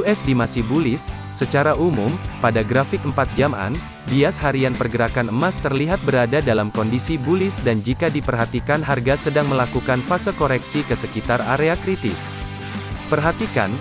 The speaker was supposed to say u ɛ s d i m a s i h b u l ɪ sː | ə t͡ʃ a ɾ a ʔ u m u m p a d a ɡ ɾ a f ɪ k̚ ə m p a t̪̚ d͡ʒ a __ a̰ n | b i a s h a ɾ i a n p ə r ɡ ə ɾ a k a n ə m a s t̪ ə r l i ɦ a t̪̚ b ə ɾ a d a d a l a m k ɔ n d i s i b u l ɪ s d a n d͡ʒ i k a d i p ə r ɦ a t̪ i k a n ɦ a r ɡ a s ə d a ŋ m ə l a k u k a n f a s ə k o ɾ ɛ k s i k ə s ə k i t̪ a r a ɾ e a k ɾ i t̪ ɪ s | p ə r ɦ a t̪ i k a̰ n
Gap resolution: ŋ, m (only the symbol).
m